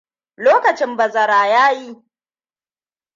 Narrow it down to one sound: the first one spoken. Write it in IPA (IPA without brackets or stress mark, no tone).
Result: l